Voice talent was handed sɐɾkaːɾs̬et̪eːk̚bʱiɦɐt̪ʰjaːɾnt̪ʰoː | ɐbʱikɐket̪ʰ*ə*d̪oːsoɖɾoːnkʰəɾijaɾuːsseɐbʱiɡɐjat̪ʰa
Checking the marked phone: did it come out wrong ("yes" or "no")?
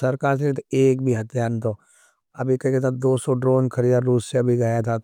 yes